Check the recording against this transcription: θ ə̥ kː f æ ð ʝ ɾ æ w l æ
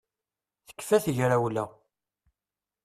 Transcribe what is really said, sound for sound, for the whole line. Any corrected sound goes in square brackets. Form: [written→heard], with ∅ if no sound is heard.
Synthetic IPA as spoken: θ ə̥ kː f æ [ð→θ] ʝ ɾ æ w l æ